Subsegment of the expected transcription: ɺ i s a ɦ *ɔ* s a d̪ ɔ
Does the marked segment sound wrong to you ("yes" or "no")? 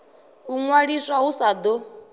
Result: yes